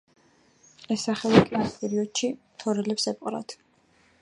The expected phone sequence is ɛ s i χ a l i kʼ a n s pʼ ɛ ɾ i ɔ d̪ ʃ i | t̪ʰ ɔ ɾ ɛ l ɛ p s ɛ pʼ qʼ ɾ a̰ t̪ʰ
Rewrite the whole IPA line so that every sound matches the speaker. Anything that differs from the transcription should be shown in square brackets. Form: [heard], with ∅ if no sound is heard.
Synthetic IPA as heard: ɛ s [a] χ [ɛ] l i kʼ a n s pʼ ɛ ɾ i ɔ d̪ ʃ i | t̪ʰ ɔ ɾ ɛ l ɛ p s ɛ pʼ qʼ ɾ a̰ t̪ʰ